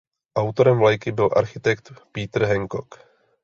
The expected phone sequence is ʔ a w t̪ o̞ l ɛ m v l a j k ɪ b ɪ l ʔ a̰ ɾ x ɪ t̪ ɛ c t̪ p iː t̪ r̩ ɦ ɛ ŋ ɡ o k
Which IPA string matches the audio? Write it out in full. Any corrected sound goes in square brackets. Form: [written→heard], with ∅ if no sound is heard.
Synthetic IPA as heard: ʔ a w t̪ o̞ [l→ɾ] ɛ m v l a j k ɪ b ɪ l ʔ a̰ ɾ x ɪ t̪ ɛ [c→k] t̪ p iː t̪ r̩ ɦ ɛ ŋ [ɡ→k] o k

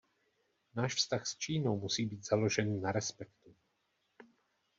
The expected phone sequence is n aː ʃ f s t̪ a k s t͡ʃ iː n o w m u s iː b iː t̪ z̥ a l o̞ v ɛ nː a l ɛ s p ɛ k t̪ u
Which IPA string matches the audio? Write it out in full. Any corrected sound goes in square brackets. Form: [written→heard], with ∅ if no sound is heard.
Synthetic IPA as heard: n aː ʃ f s t̪ a [k→x] s t͡ʃ iː n o w m u s iː b iː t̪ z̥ a l o̞ [v→ʒ] ɛ nː a [l→ɾ] ɛ s p ɛ k t̪ u

